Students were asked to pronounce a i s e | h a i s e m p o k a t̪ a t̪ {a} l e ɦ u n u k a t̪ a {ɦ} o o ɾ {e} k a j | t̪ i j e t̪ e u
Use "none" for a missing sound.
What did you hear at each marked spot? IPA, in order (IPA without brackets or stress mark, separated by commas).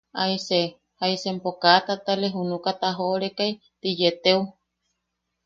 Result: a, ɦ, e